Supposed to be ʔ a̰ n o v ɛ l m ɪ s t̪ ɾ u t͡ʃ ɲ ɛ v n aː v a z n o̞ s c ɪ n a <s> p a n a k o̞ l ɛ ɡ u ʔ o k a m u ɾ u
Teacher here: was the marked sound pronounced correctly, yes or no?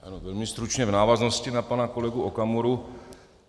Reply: no